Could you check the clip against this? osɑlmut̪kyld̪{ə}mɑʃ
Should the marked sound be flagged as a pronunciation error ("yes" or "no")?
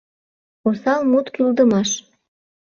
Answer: no